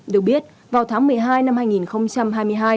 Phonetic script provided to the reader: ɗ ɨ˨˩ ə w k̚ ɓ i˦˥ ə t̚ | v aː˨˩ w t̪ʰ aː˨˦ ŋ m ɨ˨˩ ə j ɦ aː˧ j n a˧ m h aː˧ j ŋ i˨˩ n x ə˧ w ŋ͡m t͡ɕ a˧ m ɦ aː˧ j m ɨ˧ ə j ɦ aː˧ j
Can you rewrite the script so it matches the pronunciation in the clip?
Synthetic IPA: ɗ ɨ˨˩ ə k̚ ɓ i˦˥ ə t̚ | v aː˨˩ w t̪ʰ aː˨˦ ŋ m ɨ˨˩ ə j ɦ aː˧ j n a˧ m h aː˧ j ŋ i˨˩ n x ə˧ w ŋ͡m t͡ɕ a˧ m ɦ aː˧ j m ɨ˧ ə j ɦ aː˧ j